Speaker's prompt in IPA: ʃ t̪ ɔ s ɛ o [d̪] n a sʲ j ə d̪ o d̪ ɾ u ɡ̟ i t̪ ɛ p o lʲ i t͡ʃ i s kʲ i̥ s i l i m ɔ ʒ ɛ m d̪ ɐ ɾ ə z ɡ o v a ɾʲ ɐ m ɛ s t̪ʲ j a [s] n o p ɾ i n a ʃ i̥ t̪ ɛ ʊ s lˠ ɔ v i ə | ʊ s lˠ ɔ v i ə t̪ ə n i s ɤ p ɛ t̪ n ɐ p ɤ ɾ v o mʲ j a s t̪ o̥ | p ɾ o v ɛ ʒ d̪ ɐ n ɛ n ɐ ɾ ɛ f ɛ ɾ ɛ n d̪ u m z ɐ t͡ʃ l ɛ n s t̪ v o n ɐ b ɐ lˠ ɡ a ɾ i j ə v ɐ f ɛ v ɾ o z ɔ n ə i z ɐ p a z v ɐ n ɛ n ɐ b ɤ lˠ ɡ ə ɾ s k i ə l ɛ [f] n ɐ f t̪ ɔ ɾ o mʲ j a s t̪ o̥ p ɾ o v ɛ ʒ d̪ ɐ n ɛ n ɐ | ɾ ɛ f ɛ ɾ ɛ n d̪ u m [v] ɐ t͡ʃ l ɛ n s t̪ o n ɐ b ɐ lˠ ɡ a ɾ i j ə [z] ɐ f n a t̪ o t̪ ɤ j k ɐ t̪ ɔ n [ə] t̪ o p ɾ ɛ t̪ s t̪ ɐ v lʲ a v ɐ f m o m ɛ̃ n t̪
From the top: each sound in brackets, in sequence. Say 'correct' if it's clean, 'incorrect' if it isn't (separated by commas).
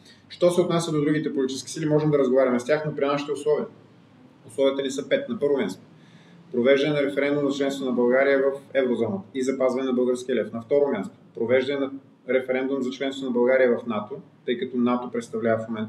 incorrect, incorrect, correct, incorrect, incorrect, incorrect